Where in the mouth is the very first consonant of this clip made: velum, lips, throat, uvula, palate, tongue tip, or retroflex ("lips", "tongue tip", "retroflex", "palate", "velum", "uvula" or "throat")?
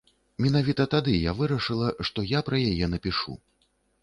lips